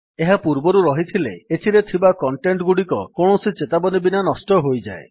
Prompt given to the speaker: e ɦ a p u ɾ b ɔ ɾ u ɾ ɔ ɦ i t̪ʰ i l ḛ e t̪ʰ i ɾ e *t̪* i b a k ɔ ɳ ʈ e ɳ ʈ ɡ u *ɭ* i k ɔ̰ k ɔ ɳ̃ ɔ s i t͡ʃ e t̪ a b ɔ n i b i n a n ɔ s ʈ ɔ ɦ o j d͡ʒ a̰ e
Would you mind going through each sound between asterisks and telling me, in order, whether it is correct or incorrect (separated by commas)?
incorrect, incorrect